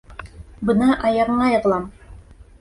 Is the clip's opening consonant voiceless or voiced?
voiced